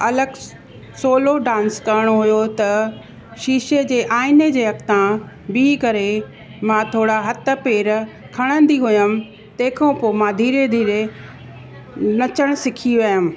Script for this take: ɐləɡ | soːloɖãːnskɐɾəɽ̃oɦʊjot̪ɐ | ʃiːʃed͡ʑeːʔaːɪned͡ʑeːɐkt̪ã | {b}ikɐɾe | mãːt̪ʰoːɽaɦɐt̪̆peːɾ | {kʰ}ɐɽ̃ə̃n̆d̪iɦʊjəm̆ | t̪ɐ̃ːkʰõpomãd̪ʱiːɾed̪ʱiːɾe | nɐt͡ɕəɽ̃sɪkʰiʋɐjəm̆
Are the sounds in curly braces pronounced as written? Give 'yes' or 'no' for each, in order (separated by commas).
yes, yes